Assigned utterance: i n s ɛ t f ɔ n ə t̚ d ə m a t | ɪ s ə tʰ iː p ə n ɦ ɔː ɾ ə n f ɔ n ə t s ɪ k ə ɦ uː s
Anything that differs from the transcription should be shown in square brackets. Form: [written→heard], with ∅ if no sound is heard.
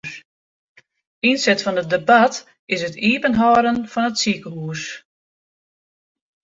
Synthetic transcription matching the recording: i n s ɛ t f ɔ n ə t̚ d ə [m→b] a t | ɪ s ə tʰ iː p ə n ɦ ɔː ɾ ə n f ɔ n ə t s [ɪ→i] k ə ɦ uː s